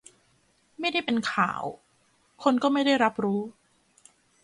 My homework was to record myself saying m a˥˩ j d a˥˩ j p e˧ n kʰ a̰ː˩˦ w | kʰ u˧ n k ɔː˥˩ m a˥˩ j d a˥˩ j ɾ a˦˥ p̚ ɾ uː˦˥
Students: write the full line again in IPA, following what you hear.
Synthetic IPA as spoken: m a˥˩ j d a˥˩ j p e˧ n kʰ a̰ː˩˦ w | kʰ o˧ n k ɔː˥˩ m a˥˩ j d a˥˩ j ɾ a˦˥ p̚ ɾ uː˦˥